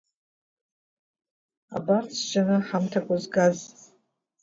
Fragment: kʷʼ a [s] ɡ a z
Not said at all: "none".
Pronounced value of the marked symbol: z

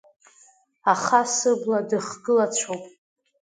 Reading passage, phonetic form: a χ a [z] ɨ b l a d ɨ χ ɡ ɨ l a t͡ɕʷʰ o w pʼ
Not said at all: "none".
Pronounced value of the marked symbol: s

